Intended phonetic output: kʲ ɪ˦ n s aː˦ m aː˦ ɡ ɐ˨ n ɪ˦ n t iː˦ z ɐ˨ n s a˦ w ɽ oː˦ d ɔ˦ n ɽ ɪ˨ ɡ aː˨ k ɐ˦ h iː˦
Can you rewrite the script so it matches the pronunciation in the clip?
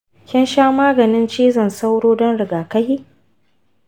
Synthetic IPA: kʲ ɪ˦ n ʃ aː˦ m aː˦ ɡ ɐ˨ n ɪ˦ n t͡ʃ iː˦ z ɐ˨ n s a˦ w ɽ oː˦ d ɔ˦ n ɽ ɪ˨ ɡ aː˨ k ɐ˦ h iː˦